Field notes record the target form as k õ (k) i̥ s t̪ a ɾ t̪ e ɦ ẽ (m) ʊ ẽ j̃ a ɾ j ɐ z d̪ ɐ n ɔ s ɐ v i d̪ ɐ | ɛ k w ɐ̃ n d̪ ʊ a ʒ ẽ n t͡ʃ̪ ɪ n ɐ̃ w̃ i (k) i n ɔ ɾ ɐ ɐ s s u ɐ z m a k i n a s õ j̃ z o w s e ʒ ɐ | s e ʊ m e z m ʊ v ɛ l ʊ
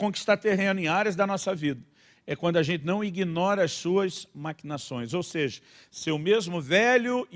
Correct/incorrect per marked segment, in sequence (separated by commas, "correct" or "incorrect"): correct, incorrect, incorrect